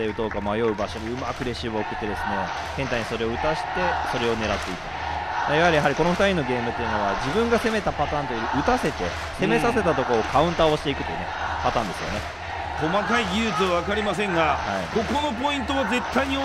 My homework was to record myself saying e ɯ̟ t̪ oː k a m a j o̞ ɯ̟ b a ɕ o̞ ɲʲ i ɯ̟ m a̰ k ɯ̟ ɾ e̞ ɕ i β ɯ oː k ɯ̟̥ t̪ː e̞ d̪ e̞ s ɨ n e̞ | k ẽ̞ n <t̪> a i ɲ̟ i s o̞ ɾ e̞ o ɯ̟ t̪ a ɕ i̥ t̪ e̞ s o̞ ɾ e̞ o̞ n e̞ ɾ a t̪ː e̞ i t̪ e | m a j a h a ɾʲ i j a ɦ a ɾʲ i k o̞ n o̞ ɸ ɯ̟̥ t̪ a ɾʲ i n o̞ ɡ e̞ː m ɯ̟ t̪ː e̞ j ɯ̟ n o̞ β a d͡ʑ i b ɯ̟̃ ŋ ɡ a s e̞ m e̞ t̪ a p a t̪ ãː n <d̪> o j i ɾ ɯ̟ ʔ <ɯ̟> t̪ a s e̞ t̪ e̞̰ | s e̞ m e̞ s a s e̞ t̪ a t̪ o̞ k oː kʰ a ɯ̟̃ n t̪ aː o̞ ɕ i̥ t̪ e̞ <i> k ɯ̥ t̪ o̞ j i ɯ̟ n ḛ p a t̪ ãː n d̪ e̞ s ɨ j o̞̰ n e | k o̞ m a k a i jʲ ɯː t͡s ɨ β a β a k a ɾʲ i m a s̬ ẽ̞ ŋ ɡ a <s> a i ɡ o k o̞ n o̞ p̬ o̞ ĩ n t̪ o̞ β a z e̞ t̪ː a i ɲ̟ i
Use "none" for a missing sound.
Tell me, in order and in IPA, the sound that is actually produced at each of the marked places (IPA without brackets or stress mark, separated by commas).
t̪, t̪, ɯ̟, i, h